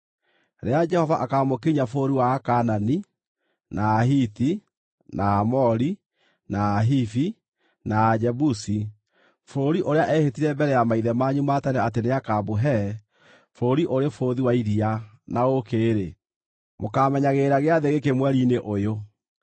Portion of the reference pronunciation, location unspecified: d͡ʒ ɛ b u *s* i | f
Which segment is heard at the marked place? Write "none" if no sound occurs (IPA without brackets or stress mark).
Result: s